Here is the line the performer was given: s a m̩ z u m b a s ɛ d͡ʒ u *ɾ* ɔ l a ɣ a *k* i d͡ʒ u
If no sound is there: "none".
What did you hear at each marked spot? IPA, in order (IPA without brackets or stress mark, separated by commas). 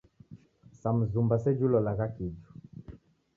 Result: l, k